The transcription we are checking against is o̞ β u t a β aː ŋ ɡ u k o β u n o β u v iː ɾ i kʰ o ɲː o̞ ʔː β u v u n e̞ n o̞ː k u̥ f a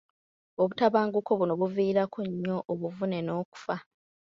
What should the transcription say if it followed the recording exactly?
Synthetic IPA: o̞ β u t a β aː ŋ ɡ u k o β u n o β u v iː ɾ a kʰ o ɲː o̞ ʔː β u v u n e̞ n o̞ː k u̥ f a